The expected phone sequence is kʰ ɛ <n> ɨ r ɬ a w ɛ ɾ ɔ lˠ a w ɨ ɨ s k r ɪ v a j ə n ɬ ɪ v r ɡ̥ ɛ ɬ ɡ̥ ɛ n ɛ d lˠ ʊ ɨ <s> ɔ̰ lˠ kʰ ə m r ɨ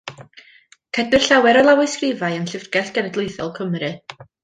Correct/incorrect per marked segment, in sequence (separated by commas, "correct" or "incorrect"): incorrect, incorrect